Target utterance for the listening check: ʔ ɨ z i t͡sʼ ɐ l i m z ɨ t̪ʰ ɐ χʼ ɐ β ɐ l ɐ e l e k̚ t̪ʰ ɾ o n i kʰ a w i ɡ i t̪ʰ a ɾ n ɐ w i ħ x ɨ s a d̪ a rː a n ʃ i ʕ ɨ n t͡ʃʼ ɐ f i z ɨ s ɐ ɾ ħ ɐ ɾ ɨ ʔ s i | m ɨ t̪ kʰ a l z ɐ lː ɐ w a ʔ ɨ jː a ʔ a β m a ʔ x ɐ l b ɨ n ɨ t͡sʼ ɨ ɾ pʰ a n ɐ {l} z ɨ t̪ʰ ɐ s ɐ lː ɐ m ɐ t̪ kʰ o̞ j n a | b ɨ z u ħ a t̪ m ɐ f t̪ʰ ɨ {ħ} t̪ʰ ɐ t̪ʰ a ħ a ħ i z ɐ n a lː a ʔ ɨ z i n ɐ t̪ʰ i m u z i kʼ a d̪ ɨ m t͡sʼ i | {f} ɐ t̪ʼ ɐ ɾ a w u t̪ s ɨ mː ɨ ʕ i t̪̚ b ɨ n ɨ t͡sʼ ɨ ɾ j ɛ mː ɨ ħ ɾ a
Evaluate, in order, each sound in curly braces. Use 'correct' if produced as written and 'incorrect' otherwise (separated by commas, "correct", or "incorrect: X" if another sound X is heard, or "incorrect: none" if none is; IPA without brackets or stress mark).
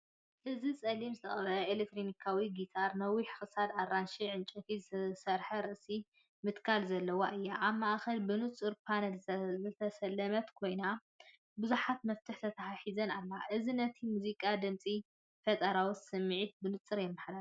correct, correct, correct